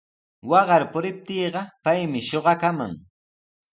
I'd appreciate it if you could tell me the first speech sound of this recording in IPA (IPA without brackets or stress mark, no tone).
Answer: w